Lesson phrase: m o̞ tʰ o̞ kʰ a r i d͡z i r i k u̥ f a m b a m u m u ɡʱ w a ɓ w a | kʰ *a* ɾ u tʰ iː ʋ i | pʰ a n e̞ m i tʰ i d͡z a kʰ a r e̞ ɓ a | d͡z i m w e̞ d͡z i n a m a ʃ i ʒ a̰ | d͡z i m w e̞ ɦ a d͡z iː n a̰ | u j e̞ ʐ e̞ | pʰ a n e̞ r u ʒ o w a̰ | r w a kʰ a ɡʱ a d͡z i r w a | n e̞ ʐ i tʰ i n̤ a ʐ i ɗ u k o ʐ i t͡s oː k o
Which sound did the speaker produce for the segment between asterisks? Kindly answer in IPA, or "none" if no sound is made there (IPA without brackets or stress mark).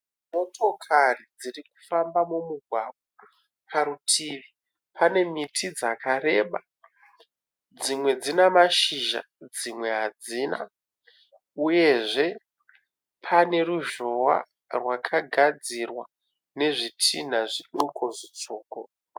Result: a